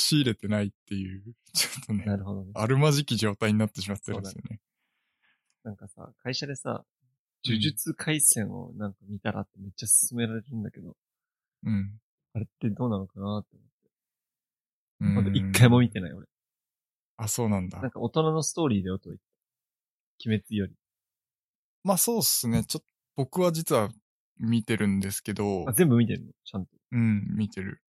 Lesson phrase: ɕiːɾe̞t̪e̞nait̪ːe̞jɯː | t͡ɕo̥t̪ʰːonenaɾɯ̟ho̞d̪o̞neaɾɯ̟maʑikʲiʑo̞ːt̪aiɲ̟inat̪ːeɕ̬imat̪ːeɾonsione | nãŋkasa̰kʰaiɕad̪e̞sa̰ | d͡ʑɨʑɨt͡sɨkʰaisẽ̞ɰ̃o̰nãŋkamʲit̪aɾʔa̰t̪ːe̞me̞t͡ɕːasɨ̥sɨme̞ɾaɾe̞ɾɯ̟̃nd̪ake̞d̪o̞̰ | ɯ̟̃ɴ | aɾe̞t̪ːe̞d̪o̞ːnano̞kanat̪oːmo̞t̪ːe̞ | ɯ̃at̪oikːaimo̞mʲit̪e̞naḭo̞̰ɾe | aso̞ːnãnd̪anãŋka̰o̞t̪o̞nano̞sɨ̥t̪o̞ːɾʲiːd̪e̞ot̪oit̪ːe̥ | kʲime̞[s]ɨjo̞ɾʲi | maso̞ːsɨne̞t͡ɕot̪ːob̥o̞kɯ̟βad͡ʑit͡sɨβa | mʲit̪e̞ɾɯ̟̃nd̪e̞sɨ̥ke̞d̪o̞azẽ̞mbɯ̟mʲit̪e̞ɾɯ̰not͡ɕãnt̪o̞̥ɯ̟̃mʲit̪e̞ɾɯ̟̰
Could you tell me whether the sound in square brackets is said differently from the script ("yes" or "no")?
yes